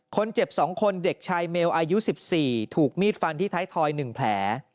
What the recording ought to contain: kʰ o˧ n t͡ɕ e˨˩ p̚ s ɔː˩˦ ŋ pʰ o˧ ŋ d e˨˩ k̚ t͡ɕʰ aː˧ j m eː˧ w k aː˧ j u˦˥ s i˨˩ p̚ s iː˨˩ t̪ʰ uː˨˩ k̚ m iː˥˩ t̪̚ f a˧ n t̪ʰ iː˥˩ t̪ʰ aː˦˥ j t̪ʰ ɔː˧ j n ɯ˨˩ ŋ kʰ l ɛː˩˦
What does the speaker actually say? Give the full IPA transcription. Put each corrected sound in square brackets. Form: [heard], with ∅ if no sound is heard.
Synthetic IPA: kʰ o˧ n t͡ɕ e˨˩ p̚ s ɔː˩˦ ŋ [kʰ] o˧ [n] d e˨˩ k̚ t͡ɕʰ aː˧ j m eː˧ w [ʔ] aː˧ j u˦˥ s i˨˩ p̚ s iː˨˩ t̪ʰ uː˨˩ k̚ m iː˥˩ t̪̚ f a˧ n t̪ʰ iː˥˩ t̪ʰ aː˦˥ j t̪ʰ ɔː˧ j n ɯ˨˩ ŋ [pʰ] l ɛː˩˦